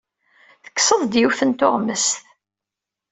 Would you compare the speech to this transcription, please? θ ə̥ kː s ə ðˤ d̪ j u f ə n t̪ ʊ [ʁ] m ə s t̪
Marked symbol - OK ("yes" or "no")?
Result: yes